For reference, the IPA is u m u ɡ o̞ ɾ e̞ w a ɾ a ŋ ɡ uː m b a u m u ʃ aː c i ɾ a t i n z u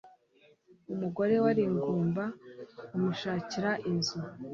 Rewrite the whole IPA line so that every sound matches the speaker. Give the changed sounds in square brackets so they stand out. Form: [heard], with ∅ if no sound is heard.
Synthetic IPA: u m u ɡ o̞ ɾ e̞ w a ɾ [i] ŋ ɡ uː m b a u m u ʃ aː c i ɾ a [ʔ] i n z u